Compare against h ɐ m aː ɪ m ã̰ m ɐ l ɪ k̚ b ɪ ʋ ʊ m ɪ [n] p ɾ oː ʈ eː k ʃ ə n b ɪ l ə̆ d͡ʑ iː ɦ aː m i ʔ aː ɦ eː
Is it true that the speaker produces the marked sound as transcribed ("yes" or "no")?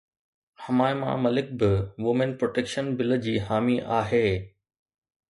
yes